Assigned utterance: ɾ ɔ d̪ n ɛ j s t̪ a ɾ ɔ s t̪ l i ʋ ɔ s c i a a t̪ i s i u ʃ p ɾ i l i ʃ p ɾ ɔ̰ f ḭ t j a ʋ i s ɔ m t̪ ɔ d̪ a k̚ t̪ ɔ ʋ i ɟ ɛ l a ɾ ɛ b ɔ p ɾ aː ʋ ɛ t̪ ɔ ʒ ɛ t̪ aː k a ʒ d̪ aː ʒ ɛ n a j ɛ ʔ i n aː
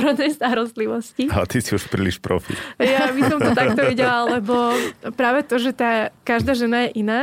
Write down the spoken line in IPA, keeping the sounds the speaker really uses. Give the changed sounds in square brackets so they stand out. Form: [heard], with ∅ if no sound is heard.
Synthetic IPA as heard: ɾ ɔ d̪ n ɛ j s t̪ a ɾ ɔ s t̪ l i ʋ ɔ s c i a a t̪ i s i u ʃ p ɾ i l i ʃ p ɾ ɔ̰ f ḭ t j a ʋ i s ɔ m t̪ ɔ [t̪] a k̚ t̪ ɔ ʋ i ɟ ɛ l a [l] ɛ b ɔ p ɾ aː ʋ ɛ t̪ ɔ ʒ ɛ t̪ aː k a ʒ d̪ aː ʒ ɛ n a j ɛ ʔ i n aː